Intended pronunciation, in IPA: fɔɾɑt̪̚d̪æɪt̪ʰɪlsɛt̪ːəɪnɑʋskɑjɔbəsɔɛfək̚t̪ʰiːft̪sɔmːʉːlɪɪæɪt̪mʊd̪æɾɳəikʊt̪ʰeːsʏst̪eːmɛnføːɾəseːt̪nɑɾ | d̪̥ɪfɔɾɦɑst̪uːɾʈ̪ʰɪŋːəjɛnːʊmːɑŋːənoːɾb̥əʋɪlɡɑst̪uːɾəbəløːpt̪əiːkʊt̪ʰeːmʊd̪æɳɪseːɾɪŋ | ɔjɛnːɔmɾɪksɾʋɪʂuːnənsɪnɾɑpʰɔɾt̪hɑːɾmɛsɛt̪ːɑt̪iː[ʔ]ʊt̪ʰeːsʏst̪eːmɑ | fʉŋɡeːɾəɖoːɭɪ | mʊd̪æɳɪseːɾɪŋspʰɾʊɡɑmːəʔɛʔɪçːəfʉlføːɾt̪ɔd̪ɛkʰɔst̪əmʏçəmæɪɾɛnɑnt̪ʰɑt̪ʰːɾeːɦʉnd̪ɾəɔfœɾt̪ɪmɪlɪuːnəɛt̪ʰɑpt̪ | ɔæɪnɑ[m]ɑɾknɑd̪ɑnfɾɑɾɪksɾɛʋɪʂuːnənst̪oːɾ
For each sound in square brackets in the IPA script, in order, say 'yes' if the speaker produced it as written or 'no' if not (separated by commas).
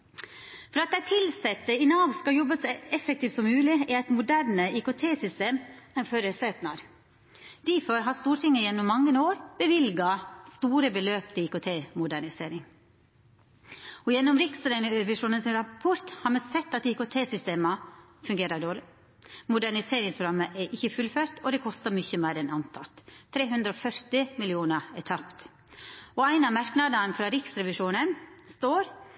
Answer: no, yes